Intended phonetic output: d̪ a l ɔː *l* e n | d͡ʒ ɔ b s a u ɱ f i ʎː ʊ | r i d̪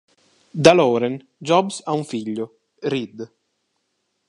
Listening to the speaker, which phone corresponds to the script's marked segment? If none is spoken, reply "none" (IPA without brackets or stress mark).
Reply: ɾ